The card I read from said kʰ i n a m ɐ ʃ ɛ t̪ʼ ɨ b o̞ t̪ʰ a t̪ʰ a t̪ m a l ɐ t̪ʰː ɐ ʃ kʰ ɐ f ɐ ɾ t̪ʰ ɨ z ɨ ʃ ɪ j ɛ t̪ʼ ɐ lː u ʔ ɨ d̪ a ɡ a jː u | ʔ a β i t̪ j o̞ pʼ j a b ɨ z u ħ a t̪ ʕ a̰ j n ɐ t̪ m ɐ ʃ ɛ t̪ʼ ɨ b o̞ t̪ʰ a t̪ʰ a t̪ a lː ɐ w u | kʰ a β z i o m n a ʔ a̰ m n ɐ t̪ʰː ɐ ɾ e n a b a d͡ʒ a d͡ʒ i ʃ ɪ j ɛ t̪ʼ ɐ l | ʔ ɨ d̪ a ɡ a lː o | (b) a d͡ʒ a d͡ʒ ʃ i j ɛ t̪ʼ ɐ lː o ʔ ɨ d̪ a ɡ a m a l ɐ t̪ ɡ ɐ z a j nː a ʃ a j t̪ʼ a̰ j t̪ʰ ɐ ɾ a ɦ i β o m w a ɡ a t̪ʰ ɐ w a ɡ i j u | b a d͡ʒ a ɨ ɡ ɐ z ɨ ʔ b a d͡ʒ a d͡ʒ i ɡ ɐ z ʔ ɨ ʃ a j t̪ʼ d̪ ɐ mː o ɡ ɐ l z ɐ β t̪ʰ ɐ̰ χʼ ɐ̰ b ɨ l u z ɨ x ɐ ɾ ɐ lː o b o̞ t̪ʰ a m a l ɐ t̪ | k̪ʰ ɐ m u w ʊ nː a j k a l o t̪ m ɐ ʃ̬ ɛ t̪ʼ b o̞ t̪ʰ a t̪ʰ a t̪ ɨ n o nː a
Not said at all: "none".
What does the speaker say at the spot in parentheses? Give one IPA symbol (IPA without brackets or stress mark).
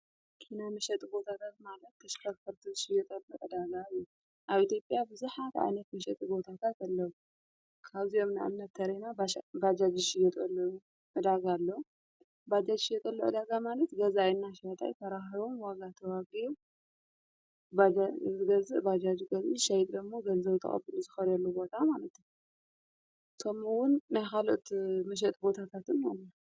b